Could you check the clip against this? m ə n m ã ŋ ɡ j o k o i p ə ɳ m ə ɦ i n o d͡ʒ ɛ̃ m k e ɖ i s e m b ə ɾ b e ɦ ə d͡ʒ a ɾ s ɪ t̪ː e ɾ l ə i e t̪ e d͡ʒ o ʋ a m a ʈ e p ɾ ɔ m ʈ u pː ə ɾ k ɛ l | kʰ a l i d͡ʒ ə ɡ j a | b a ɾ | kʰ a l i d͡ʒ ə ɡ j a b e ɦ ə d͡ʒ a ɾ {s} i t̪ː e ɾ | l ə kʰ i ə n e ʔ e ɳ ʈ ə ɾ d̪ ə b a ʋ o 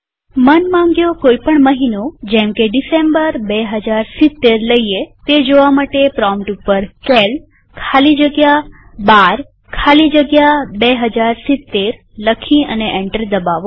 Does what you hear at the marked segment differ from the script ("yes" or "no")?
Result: no